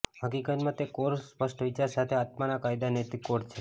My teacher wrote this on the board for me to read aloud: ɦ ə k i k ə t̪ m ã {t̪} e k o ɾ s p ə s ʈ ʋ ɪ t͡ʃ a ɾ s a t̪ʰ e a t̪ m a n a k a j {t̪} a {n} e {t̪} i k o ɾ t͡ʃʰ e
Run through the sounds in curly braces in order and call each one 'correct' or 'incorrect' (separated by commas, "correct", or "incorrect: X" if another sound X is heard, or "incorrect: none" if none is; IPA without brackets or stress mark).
correct, incorrect: d̪, correct, correct